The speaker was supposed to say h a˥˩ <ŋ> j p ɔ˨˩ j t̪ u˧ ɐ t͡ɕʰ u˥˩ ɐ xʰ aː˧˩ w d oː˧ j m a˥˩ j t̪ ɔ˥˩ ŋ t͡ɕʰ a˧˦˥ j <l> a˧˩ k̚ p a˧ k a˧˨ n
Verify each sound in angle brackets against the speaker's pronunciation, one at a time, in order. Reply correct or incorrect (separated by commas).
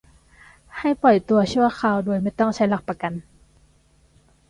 incorrect, correct